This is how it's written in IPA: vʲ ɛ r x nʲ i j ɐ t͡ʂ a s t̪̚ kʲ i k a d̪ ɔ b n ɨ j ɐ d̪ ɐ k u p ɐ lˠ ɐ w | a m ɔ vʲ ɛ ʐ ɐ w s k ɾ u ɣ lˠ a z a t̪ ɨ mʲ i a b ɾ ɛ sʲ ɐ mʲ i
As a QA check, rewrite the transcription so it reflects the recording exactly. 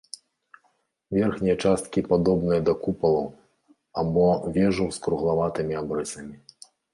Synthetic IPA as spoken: vʲ ɛ r x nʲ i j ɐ t͡ʂ a s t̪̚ kʲ i p a d̪ ɔ b n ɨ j ɐ d̪ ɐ k u p ɐ lˠ ɐ w | a b ɔ vʲ ɛ ʐ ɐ w s k ɾ u ɣ lˠ a v a t̪ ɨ mʲ i a b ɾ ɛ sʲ ɐ mʲ i

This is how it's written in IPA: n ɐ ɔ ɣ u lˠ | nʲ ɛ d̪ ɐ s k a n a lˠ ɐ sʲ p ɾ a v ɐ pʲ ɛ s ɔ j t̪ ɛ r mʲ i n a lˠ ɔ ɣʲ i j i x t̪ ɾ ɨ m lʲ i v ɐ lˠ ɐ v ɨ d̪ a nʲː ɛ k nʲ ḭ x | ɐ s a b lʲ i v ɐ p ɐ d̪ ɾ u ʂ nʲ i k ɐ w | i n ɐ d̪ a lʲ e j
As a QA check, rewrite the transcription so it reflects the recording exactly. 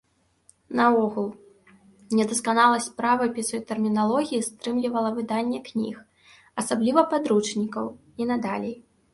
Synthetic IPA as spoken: n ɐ ɔ ɣ u lˠ | nʲ ɛ d̪ ɐ s k a n a lˠ ɐ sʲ p ɾ a v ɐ pʲ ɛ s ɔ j t̪ ɛ r mʲ i n a lˠ ɔ ɣʲ i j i s t̪ ɾ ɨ m lʲ i v ɐ lˠ ɐ v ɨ d̪ a nʲː ɛ k nʲ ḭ x | ɐ s a b lʲ i v ɐ p a d̪ ɾ u t͡ʂ nʲ i k ɐ w | i n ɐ d̪ a lʲ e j

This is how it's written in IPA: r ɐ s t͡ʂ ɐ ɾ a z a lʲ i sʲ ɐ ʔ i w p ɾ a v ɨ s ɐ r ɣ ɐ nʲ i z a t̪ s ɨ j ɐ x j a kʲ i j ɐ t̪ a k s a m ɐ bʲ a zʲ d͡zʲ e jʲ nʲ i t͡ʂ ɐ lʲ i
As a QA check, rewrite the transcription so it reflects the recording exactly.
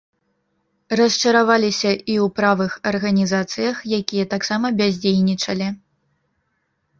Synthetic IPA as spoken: r ɐ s t͡ʂ ɐ ɾ a v a lʲ i sʲ ɐ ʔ i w p ɾ a v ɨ x ɐ r ɣ ɐ nʲ i z a t̪ s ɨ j ɐ x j a kʲ i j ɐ t̪ a k s a m ɐ bʲ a zʲ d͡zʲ e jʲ nʲ i t͡ʂ ɐ lʲ i

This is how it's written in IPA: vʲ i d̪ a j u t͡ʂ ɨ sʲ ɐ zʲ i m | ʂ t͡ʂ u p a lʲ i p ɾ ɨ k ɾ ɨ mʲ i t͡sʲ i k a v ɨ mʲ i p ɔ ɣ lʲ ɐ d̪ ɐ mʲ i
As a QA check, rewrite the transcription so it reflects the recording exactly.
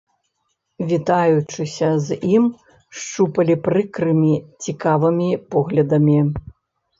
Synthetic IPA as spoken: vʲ i t̪ a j u t͡ʂ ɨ sʲ ɐ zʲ i m | ʂ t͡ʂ u p ɐ lʲ i p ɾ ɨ k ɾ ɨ mʲ i t͡sʲ i k a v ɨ mʲ i p ɔ ɣ lʲ ɐ d̪ ɐ mʲ i

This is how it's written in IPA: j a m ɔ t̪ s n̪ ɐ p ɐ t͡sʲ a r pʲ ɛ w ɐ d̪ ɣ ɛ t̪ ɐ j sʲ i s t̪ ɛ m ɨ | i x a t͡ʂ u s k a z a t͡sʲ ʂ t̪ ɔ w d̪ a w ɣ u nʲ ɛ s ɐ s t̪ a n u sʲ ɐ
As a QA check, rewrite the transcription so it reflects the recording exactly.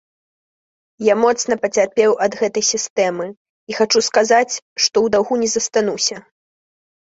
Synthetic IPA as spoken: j a m ɔ t̪ s n̪ ɐ p ɐ t͡sʲ a r pʲ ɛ w ɐ d̪ ɣ ɛ t̪ ɐ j sʲ i s t̪ ɛ m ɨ | i x a t͡ʂ u s k a z a t͡sʲ ʂ t̪ ɔ w d̪ a w ɣ u nʲ ɛ z ɐ s t̪ a n u sʲ ɐ

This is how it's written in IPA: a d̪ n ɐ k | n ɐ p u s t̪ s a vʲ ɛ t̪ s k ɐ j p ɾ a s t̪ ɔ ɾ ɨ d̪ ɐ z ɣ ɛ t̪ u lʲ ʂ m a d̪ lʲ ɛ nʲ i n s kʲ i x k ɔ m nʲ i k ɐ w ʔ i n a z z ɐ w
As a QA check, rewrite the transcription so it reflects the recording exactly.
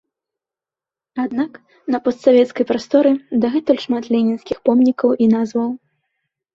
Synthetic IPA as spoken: a d̪ n a k | n ɐ p ɔ s t̪ s a vʲ ɛ t̪ s k ɐ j p ɾ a s t̪ ɔ ɾ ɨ d̪ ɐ ɣ ɛ t̪ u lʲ ʂ m a t̪ lʲ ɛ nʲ i n s kʲ i x p ɔ m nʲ i k ɐ w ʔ i n a z v ɐ w

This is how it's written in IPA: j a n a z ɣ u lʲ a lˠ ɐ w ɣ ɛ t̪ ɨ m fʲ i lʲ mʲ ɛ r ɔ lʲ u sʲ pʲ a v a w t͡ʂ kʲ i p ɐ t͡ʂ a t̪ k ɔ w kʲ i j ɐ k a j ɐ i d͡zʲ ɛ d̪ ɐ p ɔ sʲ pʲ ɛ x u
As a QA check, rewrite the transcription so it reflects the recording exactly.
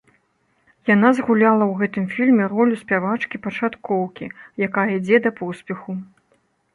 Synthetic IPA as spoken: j a n a z ɣ u lʲ a lˠ ɐ w ɣ ɛ t̪ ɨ m fʲ i lʲ mʲ ɛ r ɔ lʲ u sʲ pʲ a v a t͡ʂ kʲ i p ɐ t͡ʂ a t̪ k ɔ w kʲ i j a k a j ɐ i d͡zʲ ɛ d̪ ɐ p ɔ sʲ pʲ ɛ x u

